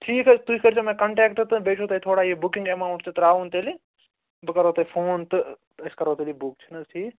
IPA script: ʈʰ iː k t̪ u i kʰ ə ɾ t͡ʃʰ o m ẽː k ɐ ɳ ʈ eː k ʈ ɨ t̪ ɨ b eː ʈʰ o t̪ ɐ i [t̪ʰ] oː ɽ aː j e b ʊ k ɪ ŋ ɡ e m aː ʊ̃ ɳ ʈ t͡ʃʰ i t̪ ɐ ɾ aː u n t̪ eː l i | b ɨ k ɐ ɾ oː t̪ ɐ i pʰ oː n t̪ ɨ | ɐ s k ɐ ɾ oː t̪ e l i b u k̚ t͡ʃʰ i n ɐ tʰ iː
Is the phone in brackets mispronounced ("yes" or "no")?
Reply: no